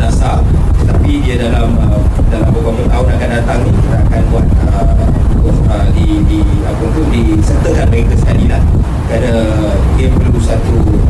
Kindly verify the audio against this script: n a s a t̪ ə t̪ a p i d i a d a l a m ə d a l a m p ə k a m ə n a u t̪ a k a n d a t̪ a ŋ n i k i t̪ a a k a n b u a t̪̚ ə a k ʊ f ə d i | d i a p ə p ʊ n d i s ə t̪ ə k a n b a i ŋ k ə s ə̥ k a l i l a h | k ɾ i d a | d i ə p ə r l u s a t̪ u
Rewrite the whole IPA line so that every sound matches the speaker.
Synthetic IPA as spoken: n a s a t̪ ə t̪ a p i d i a d a l a m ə d a l a m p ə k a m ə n a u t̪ a k a n d a t̪ a ŋ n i k i t̪ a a k a n b u a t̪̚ ə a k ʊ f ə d i | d i a p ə p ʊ n d i s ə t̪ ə k a n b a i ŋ k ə s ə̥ k a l i l a h | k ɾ a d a | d i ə p ə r l u s a t̪ u